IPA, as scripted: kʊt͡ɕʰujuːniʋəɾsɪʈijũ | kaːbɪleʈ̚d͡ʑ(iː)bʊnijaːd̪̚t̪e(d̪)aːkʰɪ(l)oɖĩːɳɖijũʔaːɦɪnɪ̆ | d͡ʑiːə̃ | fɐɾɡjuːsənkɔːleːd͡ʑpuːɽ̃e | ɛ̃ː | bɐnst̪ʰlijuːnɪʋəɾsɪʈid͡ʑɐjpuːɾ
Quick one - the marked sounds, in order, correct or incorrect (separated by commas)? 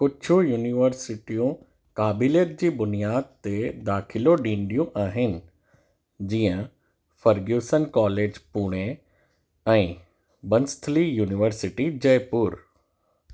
correct, correct, correct